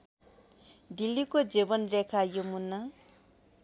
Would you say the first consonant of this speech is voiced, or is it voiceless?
voiced